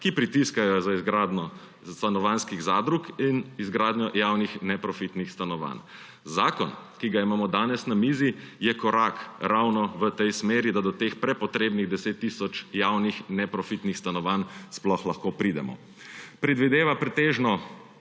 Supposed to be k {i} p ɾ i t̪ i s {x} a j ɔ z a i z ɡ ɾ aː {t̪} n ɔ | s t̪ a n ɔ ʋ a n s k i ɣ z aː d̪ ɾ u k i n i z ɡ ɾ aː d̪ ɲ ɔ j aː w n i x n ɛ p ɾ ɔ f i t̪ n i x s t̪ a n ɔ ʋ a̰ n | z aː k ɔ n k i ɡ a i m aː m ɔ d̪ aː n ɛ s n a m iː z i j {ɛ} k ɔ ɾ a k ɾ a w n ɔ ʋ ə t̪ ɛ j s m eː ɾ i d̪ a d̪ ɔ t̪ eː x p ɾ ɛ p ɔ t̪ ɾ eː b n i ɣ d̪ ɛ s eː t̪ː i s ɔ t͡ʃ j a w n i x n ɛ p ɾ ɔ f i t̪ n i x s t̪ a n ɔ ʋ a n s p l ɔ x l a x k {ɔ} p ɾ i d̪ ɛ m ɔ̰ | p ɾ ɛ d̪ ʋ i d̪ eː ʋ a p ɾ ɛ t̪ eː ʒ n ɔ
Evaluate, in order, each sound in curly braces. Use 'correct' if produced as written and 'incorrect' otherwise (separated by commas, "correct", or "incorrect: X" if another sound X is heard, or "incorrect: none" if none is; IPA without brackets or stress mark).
correct, incorrect: k, incorrect: d̪, correct, incorrect: o